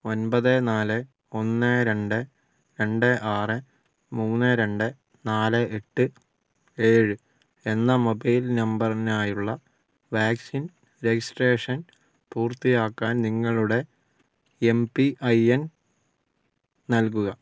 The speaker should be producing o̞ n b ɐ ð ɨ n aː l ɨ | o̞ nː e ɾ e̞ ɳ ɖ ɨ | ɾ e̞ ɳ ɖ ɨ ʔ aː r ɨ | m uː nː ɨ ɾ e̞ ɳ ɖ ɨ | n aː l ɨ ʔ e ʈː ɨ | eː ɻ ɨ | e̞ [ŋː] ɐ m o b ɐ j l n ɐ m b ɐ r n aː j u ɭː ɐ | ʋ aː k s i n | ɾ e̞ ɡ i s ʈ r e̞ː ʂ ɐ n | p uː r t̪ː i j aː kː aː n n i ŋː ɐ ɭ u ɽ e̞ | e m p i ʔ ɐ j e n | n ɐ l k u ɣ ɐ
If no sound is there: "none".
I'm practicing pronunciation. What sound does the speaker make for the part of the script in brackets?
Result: nː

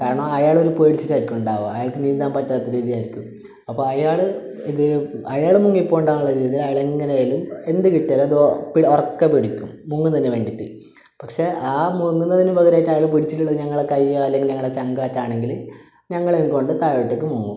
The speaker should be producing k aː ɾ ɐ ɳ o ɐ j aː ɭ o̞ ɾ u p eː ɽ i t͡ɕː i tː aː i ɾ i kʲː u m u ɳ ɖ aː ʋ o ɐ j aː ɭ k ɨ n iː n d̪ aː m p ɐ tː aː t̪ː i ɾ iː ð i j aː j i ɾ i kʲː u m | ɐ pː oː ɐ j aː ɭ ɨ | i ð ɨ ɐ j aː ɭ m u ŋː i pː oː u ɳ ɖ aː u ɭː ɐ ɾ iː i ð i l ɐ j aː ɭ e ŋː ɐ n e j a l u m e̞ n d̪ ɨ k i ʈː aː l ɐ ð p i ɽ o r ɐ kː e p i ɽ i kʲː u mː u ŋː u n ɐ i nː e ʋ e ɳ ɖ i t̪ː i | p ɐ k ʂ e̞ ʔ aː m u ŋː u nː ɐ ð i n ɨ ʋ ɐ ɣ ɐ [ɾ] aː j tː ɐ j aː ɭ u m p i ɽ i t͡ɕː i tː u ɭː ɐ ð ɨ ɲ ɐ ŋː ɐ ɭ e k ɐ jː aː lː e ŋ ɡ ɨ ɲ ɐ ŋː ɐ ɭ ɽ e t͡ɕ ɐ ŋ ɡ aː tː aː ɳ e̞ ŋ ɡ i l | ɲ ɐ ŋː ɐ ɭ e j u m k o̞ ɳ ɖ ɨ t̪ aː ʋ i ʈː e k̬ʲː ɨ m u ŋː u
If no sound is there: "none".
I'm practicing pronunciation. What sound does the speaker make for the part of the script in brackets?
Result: ɾ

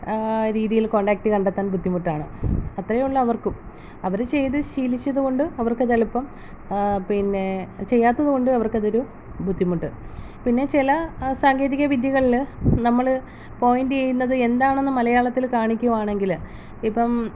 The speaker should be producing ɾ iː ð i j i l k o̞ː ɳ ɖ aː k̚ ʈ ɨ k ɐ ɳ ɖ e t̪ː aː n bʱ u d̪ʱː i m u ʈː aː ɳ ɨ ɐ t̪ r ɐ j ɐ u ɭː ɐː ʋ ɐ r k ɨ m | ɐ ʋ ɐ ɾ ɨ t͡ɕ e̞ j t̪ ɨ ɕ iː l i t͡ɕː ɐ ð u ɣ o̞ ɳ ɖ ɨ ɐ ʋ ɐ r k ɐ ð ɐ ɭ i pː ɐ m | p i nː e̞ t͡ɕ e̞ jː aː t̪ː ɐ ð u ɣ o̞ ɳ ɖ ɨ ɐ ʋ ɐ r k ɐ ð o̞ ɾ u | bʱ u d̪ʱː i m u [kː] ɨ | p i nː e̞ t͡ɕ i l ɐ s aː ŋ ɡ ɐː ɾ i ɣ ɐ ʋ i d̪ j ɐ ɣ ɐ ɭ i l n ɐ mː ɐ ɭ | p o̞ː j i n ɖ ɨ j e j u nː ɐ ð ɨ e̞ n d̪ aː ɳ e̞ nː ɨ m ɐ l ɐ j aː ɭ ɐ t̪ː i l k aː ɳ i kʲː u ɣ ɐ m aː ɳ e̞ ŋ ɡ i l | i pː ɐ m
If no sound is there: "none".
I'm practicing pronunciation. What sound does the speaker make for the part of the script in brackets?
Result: ʈː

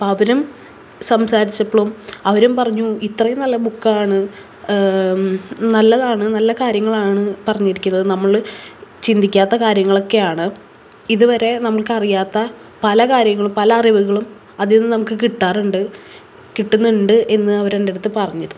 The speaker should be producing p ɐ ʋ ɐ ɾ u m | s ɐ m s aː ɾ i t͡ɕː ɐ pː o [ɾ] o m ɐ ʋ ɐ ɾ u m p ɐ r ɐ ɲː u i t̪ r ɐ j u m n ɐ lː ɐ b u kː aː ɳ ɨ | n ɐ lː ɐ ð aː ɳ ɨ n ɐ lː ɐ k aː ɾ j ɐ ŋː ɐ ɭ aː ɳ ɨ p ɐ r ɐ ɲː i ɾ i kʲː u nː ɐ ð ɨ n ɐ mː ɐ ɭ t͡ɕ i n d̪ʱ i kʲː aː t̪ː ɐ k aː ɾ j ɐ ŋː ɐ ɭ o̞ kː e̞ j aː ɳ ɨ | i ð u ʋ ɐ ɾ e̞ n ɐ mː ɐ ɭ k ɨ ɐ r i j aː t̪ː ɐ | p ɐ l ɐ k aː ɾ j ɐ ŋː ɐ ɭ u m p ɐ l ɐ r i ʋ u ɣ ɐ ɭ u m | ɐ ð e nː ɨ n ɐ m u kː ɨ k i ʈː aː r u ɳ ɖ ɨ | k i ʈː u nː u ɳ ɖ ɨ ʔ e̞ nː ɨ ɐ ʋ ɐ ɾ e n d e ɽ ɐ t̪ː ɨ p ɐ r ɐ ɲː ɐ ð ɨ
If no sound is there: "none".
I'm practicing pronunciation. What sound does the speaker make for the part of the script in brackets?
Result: ɭ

